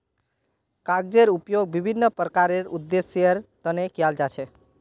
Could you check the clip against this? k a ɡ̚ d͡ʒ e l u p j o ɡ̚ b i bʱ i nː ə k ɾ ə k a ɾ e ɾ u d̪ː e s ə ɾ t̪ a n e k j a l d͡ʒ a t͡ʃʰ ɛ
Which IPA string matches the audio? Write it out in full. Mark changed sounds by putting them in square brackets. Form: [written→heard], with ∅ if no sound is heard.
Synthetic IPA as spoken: k a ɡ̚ d͡ʒ e [l→ɾ] u p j o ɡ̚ b i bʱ i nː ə [k→p] ɾ ə k a ɾ e ɾ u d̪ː e s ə ɾ t̪ [a→ə] n e k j a l d͡ʒ a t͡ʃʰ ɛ